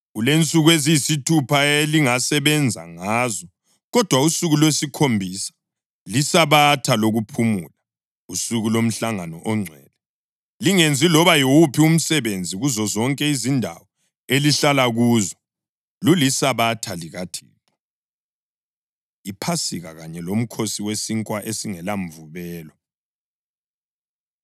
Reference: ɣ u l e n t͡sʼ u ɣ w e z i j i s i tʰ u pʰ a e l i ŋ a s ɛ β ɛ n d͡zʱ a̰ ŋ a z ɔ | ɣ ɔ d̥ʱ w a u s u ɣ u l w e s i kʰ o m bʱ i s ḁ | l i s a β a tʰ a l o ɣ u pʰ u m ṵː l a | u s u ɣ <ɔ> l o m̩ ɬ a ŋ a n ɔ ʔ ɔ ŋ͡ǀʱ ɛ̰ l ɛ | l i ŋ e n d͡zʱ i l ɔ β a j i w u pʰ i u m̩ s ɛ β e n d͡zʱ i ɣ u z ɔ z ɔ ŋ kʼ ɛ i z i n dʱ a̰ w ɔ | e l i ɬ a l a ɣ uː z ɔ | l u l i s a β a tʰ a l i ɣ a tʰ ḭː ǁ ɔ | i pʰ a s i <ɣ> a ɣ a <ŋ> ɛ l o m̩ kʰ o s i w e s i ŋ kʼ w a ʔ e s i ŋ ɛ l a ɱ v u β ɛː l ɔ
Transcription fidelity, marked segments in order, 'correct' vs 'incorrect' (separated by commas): incorrect, correct, incorrect